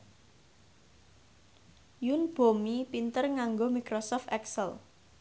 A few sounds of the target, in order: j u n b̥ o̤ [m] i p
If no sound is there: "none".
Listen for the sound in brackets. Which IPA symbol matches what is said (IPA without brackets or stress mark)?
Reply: m